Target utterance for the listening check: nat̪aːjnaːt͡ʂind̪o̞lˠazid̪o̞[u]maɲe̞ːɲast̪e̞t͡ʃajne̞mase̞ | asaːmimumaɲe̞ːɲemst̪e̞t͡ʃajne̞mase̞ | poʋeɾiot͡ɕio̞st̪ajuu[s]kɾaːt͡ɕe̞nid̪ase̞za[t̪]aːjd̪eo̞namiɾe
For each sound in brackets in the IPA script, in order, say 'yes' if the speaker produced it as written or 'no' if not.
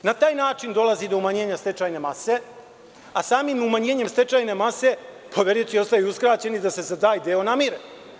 yes, yes, no

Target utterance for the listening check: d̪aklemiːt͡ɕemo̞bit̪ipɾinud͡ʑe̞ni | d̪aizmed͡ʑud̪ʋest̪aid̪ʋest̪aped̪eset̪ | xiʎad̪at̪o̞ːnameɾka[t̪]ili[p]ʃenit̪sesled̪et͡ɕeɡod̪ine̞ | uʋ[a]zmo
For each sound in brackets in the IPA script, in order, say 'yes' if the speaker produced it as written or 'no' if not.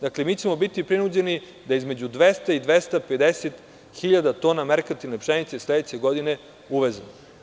yes, yes, no

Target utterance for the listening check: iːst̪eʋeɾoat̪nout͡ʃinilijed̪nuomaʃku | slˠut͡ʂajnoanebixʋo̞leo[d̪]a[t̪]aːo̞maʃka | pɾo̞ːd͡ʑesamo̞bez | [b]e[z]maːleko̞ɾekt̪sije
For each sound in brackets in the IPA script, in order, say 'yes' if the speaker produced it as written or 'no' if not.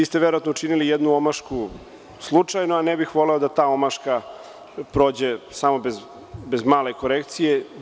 yes, yes, yes, yes

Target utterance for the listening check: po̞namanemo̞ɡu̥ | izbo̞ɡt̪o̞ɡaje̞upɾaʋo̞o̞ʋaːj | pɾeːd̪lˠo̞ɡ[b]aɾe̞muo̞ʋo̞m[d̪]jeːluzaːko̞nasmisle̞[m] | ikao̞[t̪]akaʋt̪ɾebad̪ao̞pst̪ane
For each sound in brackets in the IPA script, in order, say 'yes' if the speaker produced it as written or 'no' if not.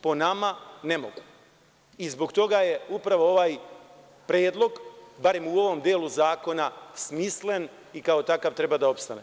yes, yes, no, yes

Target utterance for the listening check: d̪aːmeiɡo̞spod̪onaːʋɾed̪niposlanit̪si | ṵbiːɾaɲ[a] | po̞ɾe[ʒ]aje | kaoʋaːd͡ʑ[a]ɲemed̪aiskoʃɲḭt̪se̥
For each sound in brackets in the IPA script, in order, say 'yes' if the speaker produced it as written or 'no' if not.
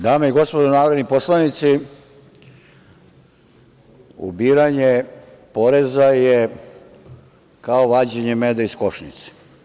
no, no, no

